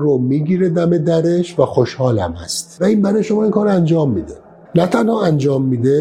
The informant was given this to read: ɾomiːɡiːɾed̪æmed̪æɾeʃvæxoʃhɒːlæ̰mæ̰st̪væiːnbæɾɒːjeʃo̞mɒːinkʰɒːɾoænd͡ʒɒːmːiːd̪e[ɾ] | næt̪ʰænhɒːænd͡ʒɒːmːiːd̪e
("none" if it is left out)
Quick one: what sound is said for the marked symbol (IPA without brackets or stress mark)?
none